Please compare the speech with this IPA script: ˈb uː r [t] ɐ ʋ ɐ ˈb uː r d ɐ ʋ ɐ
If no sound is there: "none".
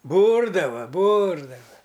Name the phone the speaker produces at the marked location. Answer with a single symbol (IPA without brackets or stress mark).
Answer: d